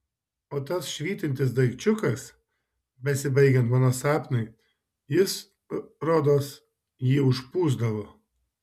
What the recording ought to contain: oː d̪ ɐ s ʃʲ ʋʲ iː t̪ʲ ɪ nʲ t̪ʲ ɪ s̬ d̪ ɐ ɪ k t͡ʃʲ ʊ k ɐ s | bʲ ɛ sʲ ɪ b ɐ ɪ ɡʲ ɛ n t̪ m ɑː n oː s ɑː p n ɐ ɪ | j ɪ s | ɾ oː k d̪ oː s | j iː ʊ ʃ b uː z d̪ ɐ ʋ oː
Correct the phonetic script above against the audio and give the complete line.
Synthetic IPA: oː t̪ ɐ s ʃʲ ʋʲ iː t̪ʲ ɪ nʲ t̪ʲ ɪ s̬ d̪ ɐ ɪ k t͡ʃʲ ʊ k ɐ s | bʲ ɛ sʲ ɪ b ɐ ɪ ɡʲ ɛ n t̪ m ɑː n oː s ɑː p n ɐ ɪ | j ɪ s | ɾ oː d̪ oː s | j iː ʊ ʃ p uː z d̪ ɐ ʋ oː